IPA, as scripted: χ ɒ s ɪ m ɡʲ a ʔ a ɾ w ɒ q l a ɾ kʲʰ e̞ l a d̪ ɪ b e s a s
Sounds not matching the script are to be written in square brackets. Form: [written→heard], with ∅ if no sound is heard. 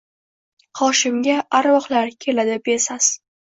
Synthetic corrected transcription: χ ɒ [s→ʃ] ɪ m ɡʲ a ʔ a ɾ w ɒ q l a ɾ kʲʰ e̞ l a d̪ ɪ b e s a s